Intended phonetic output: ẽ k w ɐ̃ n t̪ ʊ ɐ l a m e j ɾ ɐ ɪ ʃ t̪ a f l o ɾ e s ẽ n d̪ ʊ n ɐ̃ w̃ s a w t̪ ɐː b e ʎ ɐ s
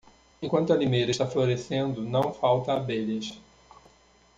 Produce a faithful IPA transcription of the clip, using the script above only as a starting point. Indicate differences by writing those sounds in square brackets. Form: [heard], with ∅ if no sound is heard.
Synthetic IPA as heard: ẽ k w ɐ̃ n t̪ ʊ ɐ l [i] m e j ɾ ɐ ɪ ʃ t̪ a f l o ɾ e s ẽ n d̪ ʊ n ɐ̃ w̃ [f] a w t̪ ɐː b e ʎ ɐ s